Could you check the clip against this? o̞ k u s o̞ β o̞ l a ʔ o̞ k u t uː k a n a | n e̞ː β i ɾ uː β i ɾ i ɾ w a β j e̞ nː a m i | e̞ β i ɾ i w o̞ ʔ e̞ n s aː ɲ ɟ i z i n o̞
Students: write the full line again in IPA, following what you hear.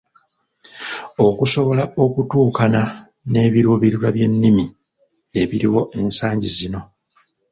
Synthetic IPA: o̞ k u s o̞ β o̞ l a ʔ o̞ k u t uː k a n a | n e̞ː β i ɾ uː β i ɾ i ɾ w a β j e̞ nː i m i | e̞ β i ɾ i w o̞ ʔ e̞ n s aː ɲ ɟ i z i n o̞